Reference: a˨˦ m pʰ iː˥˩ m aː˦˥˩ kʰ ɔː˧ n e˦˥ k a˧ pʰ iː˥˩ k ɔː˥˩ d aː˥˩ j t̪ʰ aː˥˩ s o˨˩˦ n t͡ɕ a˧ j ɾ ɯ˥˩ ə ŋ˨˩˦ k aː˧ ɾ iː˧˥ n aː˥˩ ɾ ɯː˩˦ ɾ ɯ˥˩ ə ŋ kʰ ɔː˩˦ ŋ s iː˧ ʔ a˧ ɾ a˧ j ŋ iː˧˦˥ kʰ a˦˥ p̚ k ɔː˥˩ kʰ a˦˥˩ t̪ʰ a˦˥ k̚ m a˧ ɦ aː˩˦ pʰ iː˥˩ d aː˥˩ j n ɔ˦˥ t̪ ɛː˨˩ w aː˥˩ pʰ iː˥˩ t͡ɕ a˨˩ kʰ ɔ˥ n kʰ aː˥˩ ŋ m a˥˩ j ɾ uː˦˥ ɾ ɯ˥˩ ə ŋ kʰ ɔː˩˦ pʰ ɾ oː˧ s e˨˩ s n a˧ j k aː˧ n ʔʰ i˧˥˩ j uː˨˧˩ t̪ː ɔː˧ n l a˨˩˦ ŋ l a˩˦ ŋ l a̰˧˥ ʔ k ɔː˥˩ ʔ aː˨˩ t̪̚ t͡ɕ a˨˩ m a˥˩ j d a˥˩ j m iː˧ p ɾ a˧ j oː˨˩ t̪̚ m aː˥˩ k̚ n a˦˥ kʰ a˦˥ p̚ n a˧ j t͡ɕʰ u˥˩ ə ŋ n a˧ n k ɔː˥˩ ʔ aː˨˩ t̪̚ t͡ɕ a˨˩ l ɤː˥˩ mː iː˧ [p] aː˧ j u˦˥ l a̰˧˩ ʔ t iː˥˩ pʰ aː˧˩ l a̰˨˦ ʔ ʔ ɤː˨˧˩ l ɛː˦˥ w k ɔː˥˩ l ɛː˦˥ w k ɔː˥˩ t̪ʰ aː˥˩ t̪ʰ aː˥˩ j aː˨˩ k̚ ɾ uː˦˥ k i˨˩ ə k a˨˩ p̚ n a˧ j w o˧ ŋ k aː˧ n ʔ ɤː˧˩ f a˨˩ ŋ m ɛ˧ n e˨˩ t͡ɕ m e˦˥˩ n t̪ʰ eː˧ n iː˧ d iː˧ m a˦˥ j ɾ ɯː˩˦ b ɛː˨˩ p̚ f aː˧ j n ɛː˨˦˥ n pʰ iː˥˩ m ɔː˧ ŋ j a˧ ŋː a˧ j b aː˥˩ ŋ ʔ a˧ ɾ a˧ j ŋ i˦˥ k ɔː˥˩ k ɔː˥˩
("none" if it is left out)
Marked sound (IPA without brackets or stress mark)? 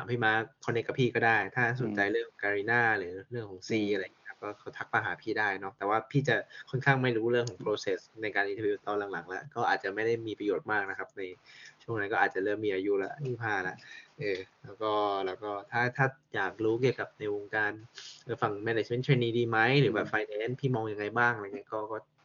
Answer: ʔ